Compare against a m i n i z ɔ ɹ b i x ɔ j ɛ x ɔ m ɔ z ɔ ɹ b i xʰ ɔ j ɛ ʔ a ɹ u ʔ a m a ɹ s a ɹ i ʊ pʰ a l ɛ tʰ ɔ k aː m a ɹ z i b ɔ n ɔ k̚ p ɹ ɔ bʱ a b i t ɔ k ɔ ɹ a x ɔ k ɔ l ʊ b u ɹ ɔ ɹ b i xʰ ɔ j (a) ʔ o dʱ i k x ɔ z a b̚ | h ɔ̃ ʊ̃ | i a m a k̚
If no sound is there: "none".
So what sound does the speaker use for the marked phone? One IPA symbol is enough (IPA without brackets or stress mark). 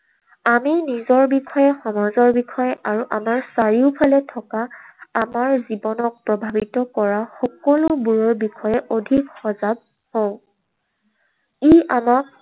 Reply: ɛ